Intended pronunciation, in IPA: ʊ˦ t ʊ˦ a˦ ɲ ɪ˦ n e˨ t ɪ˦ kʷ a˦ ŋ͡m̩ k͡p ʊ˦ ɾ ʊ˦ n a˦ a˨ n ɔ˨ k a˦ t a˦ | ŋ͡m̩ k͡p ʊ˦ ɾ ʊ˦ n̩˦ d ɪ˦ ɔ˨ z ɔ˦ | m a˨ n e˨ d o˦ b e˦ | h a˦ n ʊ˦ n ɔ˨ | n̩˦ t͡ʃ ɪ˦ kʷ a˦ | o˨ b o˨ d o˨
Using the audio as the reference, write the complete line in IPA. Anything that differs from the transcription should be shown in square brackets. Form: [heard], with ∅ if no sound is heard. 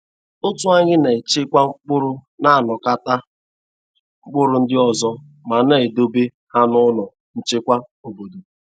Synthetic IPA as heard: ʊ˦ t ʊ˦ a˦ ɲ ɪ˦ n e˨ [t͡ʃ] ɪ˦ kʷ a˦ ŋ͡m̩ k͡p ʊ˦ ɾ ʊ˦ n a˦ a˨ n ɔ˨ k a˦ t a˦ | ŋ͡m̩ k͡p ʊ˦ ɾ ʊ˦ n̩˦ d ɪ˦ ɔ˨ z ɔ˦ | m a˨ n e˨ d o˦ b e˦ | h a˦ n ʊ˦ n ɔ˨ | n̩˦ t͡ʃ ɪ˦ kʷ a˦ | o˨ b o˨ d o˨